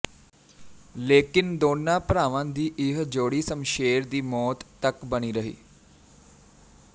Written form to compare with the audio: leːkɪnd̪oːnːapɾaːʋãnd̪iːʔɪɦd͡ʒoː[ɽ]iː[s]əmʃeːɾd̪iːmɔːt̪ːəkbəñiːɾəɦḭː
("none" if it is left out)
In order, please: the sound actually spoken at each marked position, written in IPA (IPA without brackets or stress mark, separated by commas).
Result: ɽ, s